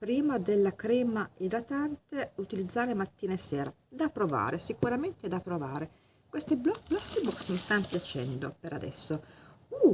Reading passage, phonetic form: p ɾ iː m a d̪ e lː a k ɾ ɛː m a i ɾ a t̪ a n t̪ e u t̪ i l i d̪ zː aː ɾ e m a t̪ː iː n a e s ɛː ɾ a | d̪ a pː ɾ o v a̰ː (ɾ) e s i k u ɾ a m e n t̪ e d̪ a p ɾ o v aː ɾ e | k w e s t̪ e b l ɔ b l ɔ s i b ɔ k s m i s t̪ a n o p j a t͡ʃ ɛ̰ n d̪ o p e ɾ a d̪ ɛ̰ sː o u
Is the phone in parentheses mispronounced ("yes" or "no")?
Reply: no